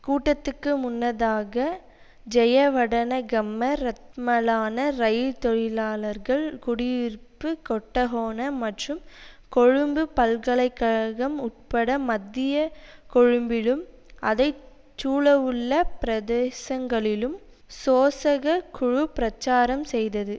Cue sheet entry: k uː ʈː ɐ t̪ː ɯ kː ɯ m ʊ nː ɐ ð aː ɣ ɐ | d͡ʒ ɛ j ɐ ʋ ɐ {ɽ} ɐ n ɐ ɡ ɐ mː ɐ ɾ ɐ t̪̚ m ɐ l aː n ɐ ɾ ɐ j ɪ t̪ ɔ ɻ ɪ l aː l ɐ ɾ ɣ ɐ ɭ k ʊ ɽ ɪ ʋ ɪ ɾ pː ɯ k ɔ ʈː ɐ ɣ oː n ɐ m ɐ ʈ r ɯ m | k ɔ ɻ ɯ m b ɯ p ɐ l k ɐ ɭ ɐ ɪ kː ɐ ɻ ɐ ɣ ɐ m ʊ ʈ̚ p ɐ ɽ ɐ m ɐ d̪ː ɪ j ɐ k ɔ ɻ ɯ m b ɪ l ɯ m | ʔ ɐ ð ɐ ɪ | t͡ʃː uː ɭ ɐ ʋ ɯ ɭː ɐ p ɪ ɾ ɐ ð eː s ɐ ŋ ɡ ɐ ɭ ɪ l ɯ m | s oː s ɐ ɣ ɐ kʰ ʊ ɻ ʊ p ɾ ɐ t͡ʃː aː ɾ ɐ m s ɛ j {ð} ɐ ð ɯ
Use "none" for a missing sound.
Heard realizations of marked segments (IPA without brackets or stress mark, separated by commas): ɽ, ð